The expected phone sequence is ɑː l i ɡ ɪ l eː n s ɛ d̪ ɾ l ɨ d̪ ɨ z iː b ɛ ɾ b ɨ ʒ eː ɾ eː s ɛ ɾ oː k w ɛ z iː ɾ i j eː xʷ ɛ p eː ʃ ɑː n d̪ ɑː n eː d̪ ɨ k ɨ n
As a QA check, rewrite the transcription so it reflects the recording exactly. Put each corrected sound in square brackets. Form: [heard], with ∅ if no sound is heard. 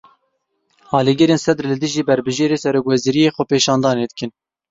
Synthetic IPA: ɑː l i ɡ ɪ [ɾ] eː n s ɛ d̪ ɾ l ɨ d̪ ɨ [ʒ] iː b ɛ ɾ b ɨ ʒ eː ɾ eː s ɛ ɾ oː k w ɛ z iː ɾ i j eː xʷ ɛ p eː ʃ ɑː n d̪ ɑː n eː d̪ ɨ k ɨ n